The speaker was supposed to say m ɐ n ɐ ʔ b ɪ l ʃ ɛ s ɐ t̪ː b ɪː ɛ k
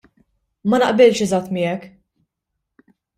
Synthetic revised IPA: m ɐ n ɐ ʔ b ɪ l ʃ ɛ z ɐ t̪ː m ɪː ɛ k